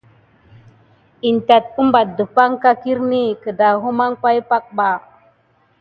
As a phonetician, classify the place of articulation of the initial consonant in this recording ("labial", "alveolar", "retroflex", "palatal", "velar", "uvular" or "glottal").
alveolar